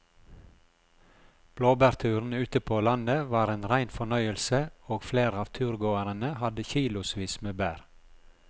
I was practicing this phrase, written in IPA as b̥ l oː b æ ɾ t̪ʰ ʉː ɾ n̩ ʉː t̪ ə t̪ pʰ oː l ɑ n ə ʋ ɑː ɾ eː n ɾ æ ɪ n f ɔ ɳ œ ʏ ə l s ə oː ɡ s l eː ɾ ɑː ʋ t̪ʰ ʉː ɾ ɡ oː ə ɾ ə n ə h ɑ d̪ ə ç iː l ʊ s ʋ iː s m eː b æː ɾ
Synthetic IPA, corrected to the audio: b̥ l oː b æ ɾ t̪ʰ ʉː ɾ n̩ ʉː t̪ ə pʰ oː l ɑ n ə ʋ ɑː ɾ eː n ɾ æ ɪ n f ɔ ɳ œ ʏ ə l s ə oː ɡ f l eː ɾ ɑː ʋ t̪ʰ ʉː ɾ ɡ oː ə ɾ ə n ə h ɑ d̪ ə ç iː l ʊ s ʋ iː s m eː b æː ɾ